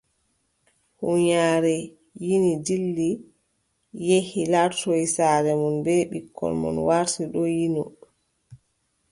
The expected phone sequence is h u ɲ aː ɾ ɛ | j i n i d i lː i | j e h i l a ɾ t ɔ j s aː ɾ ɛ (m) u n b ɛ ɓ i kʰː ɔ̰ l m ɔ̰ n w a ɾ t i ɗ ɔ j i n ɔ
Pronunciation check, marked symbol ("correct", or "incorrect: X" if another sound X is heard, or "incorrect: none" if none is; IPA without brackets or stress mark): correct